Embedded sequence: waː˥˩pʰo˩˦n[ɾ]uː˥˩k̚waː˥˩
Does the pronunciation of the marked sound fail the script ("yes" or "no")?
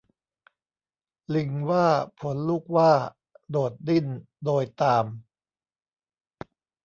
yes